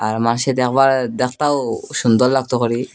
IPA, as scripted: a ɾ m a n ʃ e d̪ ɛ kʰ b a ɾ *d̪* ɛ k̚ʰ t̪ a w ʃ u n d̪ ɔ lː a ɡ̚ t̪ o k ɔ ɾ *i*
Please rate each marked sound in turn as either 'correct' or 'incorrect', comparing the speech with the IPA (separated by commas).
correct, correct